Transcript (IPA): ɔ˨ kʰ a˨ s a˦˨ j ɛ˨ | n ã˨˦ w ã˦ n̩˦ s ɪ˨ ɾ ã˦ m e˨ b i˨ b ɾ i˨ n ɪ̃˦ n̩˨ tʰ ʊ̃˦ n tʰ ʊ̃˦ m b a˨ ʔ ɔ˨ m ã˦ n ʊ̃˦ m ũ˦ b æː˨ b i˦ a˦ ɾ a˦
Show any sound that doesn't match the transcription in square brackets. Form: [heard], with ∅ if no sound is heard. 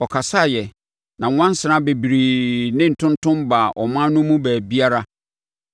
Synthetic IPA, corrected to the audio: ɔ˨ kʰ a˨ s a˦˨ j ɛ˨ | n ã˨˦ w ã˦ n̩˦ s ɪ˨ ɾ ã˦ [b] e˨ b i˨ [∅] ɾ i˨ n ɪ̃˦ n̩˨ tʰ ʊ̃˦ n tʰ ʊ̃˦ m b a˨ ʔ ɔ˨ m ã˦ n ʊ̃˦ m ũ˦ b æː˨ b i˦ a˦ ɾ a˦